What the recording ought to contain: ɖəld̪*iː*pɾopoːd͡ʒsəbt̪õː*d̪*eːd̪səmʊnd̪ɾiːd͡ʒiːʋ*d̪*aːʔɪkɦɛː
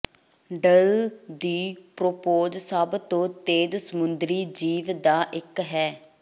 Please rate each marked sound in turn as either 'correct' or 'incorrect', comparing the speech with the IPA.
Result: correct, incorrect, correct

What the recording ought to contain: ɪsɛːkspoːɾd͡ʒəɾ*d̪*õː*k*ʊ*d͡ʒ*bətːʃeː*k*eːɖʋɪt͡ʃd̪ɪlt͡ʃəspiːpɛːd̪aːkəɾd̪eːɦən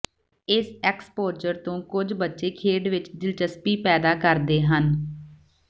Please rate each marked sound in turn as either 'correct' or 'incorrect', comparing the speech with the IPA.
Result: incorrect, correct, correct, incorrect

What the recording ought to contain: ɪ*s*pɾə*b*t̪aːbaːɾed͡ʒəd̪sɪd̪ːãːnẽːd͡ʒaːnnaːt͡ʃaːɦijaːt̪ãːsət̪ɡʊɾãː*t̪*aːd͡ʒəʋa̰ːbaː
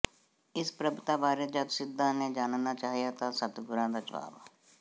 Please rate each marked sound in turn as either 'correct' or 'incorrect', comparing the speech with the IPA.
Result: correct, correct, incorrect

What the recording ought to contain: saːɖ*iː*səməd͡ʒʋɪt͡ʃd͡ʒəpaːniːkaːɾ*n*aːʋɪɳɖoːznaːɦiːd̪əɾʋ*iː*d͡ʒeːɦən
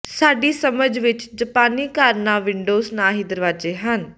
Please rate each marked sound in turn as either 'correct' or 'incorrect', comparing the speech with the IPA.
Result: correct, correct, incorrect

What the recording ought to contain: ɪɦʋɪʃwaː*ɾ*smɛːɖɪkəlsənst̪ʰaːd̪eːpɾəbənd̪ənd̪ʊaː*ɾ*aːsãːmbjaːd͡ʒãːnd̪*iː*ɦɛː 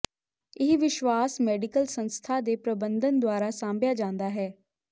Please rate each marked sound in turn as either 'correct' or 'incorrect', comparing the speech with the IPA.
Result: incorrect, correct, incorrect

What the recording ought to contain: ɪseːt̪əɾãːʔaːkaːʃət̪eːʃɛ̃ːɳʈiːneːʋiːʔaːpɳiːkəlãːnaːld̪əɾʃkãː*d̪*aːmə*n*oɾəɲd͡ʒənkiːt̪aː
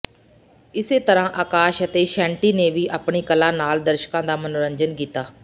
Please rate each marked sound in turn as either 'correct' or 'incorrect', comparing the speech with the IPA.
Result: correct, correct

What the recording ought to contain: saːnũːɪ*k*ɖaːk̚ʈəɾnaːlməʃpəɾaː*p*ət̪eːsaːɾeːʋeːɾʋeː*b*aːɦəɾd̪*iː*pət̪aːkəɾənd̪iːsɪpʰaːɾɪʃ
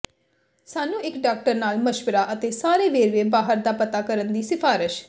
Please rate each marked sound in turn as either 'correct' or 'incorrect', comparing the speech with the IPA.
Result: correct, incorrect, correct, incorrect

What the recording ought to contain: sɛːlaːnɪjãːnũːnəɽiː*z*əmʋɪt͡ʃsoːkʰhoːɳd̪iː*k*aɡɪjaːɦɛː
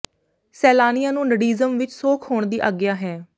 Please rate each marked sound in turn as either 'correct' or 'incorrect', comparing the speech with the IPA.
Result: correct, incorrect

